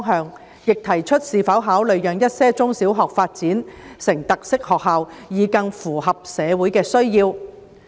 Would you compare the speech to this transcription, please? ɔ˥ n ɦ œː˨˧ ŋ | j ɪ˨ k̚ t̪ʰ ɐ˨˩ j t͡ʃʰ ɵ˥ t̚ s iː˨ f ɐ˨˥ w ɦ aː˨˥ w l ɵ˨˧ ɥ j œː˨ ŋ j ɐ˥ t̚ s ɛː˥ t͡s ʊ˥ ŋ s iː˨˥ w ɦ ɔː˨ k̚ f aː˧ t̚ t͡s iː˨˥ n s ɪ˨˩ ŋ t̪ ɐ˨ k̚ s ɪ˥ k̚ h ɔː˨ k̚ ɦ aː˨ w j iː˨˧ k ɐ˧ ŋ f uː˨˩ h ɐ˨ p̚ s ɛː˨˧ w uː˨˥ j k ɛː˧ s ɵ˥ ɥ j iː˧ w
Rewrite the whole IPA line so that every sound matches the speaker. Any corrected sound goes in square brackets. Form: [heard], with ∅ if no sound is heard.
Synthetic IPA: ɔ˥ [ŋ] ɦ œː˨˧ ŋ | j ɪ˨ k̚ t̪ʰ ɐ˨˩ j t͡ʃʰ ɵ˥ t̚ s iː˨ f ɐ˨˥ w ɦ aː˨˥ w l ɵ˨˧ ɥ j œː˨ ŋ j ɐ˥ t̚ s ɛː˥ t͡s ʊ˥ ŋ s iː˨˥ w ɦ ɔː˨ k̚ f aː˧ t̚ t͡s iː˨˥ n s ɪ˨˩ ŋ t̪ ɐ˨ k̚ s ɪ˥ k̚ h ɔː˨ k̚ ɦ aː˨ w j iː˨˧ k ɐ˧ ŋ f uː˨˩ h ɐ˨ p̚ s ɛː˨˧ w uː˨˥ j k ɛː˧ s ɵ˥ ɥ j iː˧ w

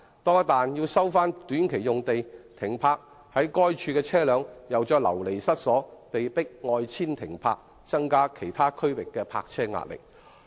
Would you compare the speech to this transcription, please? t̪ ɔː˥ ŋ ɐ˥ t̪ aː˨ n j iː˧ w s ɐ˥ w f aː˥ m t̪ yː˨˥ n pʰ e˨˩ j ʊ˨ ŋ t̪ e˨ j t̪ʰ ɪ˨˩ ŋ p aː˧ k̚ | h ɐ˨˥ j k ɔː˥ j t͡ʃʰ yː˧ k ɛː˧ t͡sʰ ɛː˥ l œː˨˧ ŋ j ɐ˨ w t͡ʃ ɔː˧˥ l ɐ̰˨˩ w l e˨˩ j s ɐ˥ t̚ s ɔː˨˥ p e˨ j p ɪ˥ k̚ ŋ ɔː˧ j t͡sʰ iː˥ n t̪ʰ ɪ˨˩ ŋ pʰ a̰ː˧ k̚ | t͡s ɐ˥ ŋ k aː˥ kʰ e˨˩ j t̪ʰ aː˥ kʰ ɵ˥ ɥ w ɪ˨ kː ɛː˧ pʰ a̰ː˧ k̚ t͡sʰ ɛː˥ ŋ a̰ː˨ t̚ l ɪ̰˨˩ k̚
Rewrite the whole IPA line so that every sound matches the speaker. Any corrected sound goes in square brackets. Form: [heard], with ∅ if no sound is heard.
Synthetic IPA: t̪ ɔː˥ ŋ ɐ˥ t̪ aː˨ n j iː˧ w s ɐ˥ w f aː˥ [n] t̪ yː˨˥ n [kʰ] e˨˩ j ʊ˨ ŋ t̪ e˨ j t̪ʰ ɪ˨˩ ŋ [pʰ] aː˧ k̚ | h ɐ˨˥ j k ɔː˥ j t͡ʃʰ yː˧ k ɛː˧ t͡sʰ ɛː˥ l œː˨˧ ŋ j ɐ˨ w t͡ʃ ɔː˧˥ l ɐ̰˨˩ w l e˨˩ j s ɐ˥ t̚ s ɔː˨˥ p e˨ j p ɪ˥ k̚ ŋ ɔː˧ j t͡sʰ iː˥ n t̪ʰ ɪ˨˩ ŋ pʰ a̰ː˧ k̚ | t͡s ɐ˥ ŋ k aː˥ kʰ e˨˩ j t̪ʰ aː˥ kʰ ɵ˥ ɥ w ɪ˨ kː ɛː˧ pʰ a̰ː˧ k̚ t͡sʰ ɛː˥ ŋ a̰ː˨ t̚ l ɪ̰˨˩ k̚

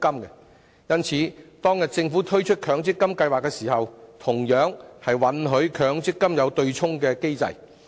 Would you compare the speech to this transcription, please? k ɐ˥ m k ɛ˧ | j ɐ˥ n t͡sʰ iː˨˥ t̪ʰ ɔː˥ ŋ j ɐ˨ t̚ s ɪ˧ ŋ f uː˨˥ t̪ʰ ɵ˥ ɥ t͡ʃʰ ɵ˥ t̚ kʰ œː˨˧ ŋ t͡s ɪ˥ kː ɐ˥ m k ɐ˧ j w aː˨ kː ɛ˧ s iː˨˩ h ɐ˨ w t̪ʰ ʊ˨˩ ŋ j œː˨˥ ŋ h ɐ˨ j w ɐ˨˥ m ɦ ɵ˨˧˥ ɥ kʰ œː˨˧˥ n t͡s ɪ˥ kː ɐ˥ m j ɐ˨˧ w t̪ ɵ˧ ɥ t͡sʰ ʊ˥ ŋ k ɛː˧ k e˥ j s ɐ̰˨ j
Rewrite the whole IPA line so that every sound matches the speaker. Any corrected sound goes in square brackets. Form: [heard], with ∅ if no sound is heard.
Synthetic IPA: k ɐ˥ m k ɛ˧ | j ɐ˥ n t͡sʰ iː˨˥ [t̪] ɔː˥ ŋ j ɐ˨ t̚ [t͡s] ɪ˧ ŋ f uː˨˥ t̪ʰ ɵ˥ ɥ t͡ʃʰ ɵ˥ t̚ kʰ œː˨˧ ŋ t͡s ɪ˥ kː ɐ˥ m k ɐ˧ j w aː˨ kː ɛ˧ s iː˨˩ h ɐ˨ w t̪ʰ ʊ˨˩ ŋ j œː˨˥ ŋ h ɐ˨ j w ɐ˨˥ [n] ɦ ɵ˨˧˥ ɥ kʰ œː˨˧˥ [ŋ] t͡s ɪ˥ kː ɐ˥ m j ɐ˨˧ w t̪ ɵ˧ ɥ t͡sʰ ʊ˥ ŋ k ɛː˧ k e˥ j [t͡s] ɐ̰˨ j

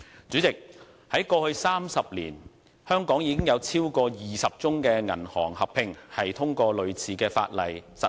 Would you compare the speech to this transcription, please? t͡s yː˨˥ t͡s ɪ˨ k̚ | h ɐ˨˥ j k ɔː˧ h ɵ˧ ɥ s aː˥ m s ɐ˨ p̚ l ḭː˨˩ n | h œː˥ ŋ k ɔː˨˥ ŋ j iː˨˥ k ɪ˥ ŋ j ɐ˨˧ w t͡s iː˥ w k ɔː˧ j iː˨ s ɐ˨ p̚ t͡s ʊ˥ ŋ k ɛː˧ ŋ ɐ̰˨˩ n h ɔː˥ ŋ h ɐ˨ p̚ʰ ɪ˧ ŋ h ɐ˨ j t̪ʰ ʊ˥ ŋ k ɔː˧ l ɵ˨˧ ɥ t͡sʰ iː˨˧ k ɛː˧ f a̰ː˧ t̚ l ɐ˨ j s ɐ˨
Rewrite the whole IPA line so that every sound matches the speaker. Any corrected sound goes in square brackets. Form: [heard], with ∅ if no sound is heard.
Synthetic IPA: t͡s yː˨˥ t͡s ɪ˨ k̚ | h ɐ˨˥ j k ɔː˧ h ɵ˧ ɥ s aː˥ m s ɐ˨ p̚ l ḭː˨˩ n | h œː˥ ŋ k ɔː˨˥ ŋ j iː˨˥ k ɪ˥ ŋ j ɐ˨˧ w [t͡sʰ] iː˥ w k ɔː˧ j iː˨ s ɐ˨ p̚ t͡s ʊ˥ ŋ k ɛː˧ ŋ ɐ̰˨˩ n h [ɔː˨˩] ŋ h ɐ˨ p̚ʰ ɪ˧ ŋ h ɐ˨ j t̪ʰ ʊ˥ ŋ k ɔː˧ l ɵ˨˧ ɥ t͡sʰ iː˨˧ k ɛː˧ f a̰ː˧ t̚ l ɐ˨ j s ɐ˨

